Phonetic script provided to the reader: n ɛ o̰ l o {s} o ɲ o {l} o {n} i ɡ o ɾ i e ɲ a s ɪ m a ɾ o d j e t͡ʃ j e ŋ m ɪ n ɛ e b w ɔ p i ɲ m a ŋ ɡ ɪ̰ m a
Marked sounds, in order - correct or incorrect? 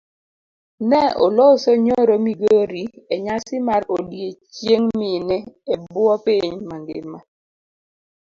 correct, incorrect: ɾ, incorrect: m

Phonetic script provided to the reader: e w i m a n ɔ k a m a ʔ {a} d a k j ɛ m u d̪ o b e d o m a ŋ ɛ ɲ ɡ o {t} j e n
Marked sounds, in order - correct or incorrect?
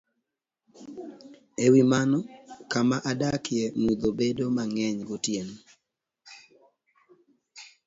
correct, correct

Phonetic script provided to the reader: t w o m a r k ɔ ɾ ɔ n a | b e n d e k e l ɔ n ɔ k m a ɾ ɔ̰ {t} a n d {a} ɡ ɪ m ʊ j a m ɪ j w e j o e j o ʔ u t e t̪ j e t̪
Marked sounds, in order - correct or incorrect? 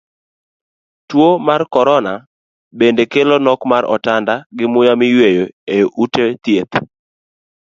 correct, correct

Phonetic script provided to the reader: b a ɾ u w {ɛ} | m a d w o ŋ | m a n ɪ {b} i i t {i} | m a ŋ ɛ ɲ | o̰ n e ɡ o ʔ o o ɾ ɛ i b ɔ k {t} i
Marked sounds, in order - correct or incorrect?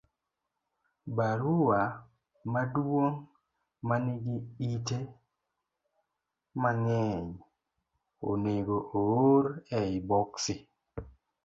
incorrect: a, incorrect: ɡ, incorrect: e, incorrect: s

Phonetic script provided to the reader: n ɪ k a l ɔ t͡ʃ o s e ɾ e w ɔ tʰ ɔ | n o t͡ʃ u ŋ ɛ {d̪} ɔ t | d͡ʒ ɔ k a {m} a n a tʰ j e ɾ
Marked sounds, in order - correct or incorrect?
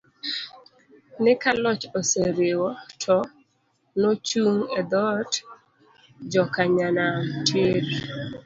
correct, incorrect: ɲ

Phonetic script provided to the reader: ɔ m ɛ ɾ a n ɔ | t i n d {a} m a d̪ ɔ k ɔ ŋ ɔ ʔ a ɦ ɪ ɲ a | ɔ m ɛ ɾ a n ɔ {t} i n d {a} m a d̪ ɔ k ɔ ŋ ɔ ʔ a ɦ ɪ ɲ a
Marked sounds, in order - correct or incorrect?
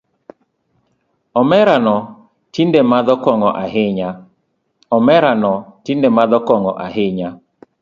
incorrect: e, correct, incorrect: e

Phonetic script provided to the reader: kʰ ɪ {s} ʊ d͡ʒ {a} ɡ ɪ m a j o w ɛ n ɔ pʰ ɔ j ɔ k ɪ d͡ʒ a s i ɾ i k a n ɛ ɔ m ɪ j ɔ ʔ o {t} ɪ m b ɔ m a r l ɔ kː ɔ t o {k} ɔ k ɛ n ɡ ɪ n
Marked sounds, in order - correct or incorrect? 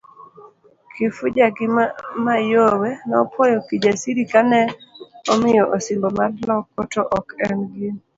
incorrect: f, correct, incorrect: s, incorrect: ʔ

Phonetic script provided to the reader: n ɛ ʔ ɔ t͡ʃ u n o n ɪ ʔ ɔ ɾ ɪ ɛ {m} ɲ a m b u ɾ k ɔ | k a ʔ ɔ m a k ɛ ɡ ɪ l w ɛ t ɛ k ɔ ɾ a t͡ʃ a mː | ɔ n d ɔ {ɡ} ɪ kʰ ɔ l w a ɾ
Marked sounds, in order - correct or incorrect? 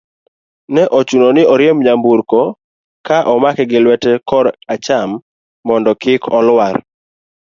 correct, incorrect: k

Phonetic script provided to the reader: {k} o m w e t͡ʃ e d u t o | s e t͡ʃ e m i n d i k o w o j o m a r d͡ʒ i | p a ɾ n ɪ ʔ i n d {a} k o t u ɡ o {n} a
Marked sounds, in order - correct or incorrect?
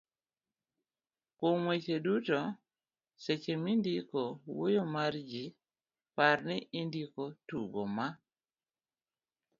correct, incorrect: i, incorrect: m

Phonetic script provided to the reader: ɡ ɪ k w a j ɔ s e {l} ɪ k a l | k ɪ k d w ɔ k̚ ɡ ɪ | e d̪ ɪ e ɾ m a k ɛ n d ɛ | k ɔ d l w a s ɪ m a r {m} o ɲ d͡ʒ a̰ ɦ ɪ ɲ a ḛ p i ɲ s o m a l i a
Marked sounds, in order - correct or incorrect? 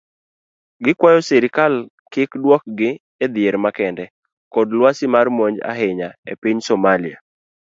incorrect: ɾ, correct

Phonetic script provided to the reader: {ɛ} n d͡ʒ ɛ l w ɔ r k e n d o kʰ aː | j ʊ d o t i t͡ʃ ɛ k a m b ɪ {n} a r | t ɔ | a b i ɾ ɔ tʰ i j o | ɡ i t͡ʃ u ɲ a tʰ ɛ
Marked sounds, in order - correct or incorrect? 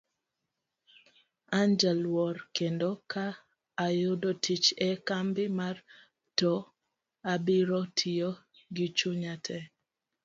incorrect: a, incorrect: m

